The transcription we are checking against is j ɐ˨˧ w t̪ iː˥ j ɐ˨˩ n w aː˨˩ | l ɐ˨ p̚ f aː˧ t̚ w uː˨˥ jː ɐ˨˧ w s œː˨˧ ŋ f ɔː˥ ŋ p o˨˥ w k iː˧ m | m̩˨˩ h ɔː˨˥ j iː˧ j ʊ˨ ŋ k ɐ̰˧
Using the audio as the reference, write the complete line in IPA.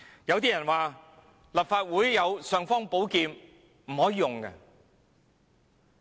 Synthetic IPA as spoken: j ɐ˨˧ w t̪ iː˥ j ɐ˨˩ n w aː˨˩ | l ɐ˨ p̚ f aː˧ t̚ w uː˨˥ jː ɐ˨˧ w s œː˨˧ ŋ f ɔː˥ ŋ p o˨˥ w k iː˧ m | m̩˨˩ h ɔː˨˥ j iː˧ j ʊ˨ ŋ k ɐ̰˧